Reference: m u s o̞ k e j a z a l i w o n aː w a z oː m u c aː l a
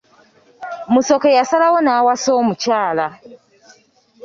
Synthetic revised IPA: m u s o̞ k e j a s a l a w o n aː w a s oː m u c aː l a